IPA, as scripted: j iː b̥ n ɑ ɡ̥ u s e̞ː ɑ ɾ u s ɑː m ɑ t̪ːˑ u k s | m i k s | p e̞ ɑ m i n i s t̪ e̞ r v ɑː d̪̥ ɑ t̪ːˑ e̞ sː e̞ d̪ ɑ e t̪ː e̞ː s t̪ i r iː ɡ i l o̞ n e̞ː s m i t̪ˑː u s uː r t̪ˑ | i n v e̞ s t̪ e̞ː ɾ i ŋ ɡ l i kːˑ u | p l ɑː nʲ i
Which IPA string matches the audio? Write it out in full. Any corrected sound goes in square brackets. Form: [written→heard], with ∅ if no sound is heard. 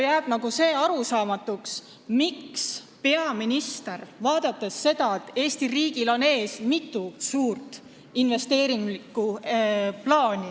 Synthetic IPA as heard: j [iː→æː] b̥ n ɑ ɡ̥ u s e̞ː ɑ ɾ u s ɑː m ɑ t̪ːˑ u k s | m i k s | p e̞ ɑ m i n i s t̪ e̞ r v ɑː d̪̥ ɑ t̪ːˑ e̞ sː e̞ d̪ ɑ e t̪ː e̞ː s t̪ i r iː ɡ i l o̞ n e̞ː s m i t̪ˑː u s uː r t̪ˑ | i n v e̞ s t̪ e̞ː ɾ i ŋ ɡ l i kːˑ u | p l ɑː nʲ i